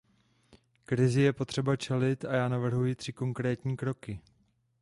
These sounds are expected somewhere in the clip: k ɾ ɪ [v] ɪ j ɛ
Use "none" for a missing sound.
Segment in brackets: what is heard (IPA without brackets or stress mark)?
z